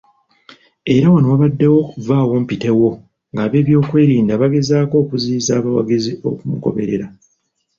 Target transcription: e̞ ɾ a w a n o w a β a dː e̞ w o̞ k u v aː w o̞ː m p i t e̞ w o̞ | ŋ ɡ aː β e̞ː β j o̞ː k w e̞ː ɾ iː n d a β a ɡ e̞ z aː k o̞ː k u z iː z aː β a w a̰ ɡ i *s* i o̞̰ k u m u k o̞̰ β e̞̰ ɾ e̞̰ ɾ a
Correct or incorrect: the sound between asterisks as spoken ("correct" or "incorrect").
incorrect